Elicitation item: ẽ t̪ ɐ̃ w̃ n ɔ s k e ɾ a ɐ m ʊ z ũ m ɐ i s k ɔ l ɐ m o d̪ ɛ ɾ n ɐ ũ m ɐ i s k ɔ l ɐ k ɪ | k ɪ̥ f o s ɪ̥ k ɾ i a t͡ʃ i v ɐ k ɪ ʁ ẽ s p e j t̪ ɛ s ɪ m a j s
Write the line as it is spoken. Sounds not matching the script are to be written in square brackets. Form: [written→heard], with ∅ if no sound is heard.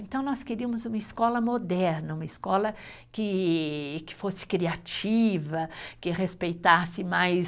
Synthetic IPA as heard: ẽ t̪ ɐ̃ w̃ n ɔ s k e ɾ [a→i] ɐ m ʊ z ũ m ɐ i s k ɔ l ɐ m o d̪ ɛ ɾ n ɐ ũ m ɐ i s k ɔ l ɐ k ɪ | k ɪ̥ f o s ɪ̥ k ɾ i a t͡ʃ i v ɐ k ɪ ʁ [ẽ→e] s p e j t̪ [ɛ→a] s ɪ m a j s